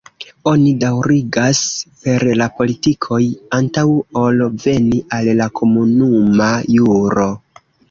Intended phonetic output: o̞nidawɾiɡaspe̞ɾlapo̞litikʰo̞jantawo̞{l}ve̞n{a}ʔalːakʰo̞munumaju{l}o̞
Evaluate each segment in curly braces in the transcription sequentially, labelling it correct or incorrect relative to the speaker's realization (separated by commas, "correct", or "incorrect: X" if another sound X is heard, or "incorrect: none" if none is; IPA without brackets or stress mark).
correct, incorrect: i, incorrect: ɾ